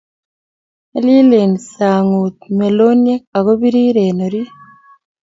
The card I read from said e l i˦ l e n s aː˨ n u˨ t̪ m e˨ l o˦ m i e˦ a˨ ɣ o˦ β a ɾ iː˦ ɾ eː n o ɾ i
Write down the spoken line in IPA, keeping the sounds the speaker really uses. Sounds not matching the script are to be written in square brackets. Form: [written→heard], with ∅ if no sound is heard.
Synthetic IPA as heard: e l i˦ l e n s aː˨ [n→ŋ] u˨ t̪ m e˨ l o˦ [m→n] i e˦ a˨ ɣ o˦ β [a→i] ɾ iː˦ ɾ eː n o ɾ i